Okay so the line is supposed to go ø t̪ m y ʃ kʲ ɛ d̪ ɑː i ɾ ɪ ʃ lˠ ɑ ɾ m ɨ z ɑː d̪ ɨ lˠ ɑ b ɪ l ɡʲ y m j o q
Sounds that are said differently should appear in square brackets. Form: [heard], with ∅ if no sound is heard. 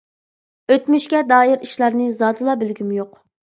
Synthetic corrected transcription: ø t̪ m y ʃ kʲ ɛ d̪ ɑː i ɾ [i] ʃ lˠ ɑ ɾ [n] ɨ z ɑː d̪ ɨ lˠ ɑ b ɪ l ɡʲ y m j o q